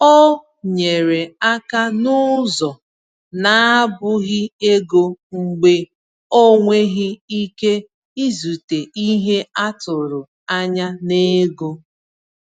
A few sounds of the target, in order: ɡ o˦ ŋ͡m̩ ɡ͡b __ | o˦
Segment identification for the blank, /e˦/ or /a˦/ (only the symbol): e˦